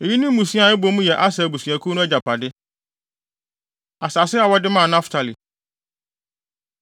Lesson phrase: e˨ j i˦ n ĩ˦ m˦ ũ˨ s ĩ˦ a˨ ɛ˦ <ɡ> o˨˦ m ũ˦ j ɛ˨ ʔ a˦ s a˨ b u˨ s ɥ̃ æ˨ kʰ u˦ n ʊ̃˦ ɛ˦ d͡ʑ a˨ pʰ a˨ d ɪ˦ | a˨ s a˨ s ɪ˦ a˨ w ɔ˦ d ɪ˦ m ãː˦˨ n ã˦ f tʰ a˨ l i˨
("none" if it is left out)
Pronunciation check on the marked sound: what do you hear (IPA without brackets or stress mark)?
b